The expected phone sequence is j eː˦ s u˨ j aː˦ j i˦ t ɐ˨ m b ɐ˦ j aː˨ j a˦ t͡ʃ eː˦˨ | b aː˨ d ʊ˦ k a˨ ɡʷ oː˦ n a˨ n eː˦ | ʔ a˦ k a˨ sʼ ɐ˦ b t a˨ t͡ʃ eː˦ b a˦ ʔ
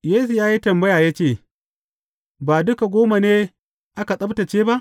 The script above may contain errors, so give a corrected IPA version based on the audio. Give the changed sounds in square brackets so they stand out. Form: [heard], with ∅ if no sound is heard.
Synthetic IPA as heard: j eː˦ s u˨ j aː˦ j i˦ t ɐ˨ m b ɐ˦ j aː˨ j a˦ t͡ʃ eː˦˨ | b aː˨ d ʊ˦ k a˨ ɡʷ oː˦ [m] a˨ n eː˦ | ʔ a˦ k a˨ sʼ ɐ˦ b t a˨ t͡ʃ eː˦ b a˦ ʔ